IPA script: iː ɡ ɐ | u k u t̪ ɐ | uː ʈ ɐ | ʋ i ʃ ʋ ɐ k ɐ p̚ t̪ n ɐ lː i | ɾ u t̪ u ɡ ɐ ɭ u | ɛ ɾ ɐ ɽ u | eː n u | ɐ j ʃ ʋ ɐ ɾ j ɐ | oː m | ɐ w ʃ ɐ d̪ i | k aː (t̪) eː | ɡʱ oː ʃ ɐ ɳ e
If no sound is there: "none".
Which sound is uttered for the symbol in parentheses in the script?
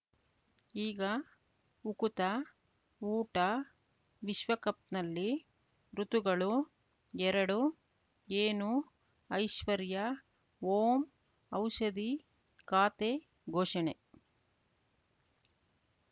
t̪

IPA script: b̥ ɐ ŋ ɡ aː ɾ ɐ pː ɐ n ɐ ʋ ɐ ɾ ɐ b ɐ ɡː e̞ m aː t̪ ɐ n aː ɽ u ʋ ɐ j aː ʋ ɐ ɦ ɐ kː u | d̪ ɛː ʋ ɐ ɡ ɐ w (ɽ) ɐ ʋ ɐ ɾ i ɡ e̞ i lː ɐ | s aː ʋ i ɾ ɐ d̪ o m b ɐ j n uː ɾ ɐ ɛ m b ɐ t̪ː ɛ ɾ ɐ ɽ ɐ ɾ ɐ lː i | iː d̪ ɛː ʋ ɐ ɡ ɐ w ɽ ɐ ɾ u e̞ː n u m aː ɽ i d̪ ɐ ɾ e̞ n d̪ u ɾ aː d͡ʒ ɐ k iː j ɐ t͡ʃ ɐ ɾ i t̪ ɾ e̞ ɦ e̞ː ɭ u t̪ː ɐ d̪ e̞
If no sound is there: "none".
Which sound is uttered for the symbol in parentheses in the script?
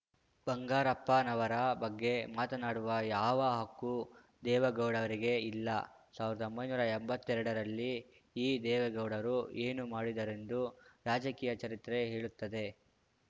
ɽ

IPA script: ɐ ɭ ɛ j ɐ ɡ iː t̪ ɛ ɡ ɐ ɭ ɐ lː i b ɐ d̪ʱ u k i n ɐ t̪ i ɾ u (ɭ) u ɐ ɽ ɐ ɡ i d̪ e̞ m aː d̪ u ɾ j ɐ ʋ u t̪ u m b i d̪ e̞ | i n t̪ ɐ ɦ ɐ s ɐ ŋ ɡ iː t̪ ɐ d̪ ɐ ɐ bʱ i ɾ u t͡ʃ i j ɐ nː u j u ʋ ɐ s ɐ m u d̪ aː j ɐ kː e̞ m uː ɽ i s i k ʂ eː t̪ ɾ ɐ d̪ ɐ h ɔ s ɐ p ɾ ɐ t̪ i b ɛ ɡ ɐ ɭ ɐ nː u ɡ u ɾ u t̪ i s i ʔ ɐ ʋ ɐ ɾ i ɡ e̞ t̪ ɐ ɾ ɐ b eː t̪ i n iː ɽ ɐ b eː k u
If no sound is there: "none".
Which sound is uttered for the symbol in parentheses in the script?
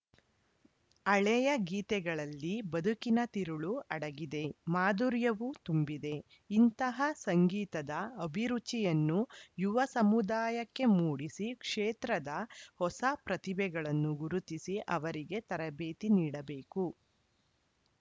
ɭ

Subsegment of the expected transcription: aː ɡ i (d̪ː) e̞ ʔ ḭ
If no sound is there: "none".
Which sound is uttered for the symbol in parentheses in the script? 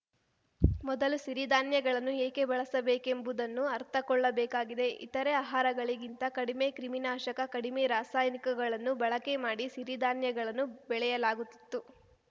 d̪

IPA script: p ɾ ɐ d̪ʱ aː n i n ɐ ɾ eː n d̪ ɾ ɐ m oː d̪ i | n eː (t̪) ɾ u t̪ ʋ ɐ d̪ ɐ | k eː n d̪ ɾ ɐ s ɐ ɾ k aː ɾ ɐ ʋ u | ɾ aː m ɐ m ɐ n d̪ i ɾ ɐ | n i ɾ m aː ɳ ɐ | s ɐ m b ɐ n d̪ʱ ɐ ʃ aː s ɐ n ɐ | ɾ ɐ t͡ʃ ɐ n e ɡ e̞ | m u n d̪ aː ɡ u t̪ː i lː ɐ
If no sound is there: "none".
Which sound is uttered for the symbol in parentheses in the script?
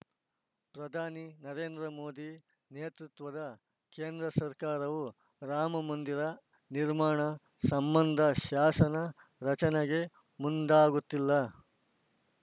t̪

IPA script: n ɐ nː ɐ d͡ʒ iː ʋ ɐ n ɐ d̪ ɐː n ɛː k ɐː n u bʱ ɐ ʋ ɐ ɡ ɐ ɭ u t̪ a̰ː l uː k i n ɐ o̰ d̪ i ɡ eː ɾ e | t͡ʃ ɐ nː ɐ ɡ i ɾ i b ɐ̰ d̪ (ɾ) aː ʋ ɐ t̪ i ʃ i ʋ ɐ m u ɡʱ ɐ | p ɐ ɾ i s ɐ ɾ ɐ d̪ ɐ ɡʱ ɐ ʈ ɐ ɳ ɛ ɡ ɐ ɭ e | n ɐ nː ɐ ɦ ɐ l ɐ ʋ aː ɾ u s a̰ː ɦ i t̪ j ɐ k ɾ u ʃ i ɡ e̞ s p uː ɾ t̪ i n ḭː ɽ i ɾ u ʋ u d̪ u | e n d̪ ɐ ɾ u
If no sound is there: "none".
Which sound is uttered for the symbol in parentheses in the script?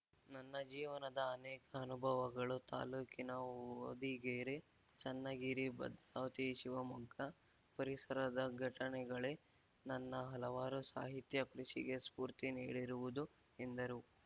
ɾ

